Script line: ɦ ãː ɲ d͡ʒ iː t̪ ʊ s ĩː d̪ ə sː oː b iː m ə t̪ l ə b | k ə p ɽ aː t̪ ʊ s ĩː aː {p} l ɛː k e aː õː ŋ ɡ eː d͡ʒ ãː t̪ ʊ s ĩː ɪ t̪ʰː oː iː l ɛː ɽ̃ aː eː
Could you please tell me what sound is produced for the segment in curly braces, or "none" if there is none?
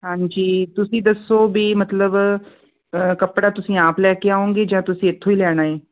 p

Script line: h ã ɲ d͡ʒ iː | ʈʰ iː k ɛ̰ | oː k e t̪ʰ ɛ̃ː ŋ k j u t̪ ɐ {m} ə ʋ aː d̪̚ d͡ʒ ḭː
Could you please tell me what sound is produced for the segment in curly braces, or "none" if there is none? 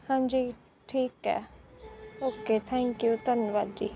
n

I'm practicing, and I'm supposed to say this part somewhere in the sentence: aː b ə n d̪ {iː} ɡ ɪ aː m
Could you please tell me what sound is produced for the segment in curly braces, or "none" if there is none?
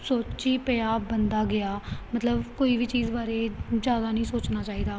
aː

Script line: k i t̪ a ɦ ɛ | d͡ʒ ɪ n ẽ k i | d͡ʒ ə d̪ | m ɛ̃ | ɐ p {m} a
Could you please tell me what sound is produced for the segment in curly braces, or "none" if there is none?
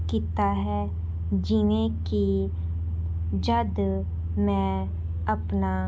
n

